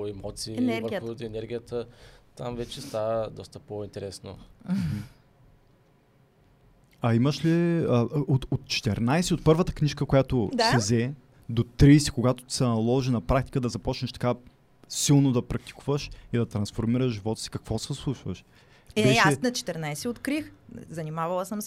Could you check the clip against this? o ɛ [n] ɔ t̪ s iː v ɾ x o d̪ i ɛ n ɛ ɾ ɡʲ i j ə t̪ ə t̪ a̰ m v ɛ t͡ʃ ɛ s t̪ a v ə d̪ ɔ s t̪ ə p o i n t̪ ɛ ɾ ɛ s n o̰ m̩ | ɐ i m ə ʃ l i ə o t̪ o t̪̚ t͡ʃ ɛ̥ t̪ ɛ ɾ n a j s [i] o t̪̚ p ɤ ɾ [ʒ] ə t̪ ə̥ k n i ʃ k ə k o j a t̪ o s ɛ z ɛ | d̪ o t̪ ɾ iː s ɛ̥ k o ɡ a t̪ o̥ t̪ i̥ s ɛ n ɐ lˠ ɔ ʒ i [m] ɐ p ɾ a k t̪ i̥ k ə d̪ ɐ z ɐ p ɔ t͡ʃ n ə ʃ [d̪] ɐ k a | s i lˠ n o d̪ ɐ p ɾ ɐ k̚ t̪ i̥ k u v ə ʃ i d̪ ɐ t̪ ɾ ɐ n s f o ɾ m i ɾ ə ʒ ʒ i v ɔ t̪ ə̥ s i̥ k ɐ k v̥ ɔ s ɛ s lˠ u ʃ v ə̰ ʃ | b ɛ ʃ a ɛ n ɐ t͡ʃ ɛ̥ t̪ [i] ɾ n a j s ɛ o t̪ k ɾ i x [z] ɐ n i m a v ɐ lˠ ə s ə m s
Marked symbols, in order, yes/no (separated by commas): no, no, no, no, no, no, yes